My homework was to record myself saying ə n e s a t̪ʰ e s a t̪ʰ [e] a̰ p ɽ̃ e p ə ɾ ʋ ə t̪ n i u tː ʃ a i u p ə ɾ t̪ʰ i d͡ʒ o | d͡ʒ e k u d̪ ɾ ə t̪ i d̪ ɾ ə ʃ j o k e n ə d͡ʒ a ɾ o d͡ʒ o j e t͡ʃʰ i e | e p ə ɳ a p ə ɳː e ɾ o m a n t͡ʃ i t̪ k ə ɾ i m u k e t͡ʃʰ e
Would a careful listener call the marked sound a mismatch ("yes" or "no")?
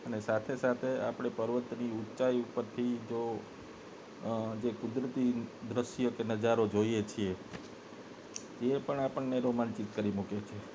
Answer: no